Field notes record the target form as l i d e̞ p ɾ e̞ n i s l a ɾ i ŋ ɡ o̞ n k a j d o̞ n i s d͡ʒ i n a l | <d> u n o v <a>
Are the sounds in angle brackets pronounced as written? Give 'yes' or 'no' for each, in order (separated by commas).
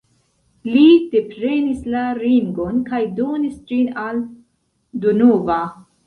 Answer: yes, yes